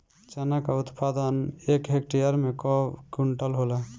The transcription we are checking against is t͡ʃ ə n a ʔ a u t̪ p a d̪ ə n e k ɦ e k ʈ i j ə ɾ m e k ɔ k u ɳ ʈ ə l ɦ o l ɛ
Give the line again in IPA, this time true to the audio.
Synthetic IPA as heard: t͡ʃ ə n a k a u t̪ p a d̪ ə n e k ɦ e k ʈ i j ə ɾ m e k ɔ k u ɳ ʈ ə l ɦ o l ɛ